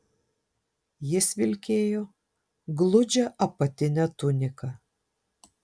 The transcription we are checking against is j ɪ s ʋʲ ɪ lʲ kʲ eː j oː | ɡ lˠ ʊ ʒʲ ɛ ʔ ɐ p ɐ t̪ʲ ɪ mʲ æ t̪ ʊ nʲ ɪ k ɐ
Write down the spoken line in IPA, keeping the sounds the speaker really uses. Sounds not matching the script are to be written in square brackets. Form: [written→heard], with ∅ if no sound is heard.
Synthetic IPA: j ɪ s ʋʲ ɪ lʲ kʲ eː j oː | ɡ lˠ ʊ [ʒʲ→d͡ʒʲ] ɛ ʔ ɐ p ɐ t̪ʲ ɪ [mʲ→nʲ] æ t̪ ʊ nʲ ɪ k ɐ